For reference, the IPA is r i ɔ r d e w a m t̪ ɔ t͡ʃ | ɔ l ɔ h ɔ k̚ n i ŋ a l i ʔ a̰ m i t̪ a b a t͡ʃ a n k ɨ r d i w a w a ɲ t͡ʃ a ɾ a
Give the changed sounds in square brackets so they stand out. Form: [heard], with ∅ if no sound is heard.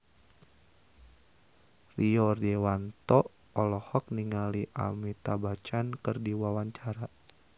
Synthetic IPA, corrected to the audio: r i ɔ r d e w a [n] t̪ ɔ [∅] | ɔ l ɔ h ɔ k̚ n i ŋ a l i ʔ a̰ m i t̪ a b a t͡ʃ a n k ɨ r d i w a w a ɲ t͡ʃ a ɾ a